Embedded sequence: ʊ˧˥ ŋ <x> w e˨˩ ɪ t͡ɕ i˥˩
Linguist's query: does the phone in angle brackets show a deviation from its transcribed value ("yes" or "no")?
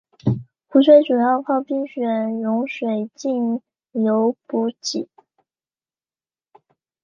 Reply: yes